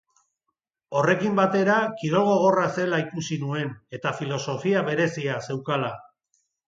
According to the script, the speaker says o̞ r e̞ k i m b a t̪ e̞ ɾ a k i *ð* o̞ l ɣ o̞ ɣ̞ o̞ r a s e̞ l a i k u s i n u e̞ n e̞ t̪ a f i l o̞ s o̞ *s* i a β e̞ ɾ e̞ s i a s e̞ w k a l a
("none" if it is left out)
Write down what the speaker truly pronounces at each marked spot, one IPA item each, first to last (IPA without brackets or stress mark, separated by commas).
ð, f